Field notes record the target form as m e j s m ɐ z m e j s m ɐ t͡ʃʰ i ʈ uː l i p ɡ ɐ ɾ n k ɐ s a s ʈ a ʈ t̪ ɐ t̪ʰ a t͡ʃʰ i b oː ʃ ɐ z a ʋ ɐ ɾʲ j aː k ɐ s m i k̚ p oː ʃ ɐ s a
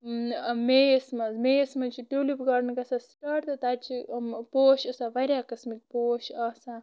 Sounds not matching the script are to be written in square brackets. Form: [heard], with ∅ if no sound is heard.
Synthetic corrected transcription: m e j s m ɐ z m e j s m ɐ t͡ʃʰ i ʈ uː l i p ɡ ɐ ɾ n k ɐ s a s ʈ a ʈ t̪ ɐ [t̪] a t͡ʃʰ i [p] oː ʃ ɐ [s] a ʋ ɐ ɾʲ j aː k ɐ s m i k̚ p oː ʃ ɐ s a